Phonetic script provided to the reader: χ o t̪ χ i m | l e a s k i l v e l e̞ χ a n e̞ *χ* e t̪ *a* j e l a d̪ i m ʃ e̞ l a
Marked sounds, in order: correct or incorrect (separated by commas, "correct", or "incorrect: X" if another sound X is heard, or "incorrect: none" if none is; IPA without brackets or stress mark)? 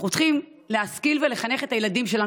correct, correct